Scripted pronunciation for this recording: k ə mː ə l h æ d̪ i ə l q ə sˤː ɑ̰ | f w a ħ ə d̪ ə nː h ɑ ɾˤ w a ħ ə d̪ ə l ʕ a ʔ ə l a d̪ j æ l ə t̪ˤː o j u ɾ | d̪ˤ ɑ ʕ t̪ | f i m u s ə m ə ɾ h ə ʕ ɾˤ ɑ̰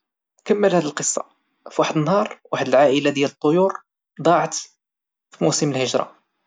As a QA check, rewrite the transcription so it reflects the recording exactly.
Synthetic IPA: k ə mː ə l h æ d̪ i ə l q ə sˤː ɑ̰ | f w a ħ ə d̪ ə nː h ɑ ɾˤ w a ħ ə d̪ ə l ʕ a ʔ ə l a d̪ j æ l ə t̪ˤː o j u ɾ | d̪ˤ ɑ ʕ t̪ | f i m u s ə m ə l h ə ʒ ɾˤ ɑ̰